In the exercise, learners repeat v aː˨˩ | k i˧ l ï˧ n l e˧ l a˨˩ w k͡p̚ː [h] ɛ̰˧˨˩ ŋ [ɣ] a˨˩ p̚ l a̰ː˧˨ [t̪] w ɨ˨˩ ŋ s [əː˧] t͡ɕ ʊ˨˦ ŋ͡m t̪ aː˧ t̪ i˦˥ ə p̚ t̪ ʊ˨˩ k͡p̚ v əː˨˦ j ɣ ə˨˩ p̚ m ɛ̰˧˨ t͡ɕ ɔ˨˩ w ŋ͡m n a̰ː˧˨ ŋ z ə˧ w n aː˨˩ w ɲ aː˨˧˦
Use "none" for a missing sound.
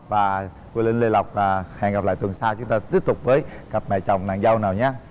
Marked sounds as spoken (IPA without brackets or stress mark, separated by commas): h, ɣ, t̪, aː˧